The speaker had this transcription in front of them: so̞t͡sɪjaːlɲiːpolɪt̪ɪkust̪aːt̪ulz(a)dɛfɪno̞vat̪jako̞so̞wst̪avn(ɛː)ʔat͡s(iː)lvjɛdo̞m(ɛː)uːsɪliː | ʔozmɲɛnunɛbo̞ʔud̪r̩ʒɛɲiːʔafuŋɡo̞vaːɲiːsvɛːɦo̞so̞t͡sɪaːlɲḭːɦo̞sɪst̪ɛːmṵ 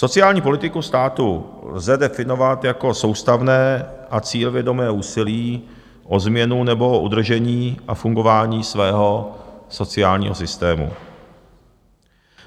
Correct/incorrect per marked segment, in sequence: incorrect: ɛ, correct, correct, correct

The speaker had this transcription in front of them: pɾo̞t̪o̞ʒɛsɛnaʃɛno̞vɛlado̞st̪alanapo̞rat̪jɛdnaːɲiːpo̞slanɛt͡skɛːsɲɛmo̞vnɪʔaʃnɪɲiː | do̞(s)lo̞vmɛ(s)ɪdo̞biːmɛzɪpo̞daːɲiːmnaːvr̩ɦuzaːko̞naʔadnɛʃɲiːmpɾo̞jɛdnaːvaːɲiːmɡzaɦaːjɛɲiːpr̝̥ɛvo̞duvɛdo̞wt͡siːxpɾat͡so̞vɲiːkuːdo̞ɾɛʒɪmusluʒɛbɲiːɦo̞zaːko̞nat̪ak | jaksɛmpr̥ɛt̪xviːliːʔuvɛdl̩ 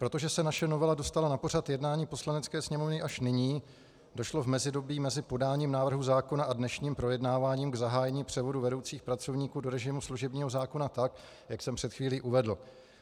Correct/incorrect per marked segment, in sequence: incorrect: ʃ, incorrect: z

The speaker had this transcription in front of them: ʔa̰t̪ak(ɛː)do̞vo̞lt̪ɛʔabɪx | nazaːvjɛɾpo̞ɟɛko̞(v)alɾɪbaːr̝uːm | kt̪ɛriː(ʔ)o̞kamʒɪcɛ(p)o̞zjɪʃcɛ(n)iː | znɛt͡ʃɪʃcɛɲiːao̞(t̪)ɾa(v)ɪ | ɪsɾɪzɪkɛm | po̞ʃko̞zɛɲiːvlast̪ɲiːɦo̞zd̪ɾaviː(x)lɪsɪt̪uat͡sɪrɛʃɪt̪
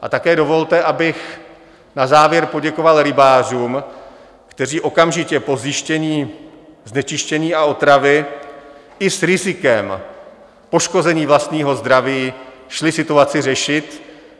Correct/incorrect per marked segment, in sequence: correct, correct, correct, correct, incorrect: ɲ, correct, correct, incorrect: ʃ

